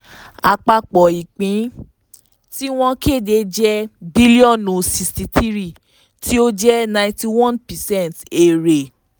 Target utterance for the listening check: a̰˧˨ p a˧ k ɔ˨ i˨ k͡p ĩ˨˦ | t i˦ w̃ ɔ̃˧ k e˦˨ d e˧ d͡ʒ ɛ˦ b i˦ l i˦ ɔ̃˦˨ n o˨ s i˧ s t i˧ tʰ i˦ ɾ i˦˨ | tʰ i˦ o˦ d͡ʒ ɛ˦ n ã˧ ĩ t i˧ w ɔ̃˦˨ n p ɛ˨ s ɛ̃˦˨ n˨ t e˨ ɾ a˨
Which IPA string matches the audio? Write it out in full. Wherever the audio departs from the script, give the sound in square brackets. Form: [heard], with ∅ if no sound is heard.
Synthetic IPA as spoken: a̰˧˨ [k͡p] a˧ [k͡p] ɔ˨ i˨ k͡p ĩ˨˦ | t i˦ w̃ ɔ̃˧ k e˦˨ d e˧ d͡ʒ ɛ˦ b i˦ l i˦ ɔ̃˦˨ n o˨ s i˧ s t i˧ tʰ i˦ ɾ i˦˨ | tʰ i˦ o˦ d͡ʒ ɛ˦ n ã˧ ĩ t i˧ w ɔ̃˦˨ n p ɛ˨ s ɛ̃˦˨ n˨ t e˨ ɾ [e˨]